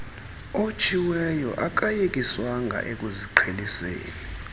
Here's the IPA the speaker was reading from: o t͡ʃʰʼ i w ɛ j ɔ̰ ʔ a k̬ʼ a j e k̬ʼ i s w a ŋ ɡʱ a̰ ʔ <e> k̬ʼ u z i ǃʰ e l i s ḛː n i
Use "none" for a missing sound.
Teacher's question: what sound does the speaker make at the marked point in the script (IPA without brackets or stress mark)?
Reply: e